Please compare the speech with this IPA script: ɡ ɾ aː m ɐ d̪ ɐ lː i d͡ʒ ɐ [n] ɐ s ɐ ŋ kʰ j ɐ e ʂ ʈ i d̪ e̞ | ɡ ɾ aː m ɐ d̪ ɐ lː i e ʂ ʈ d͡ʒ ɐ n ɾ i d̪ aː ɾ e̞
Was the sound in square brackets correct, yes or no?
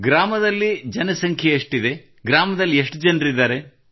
yes